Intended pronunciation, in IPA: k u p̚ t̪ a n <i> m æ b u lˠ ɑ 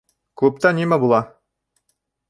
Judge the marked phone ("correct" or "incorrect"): correct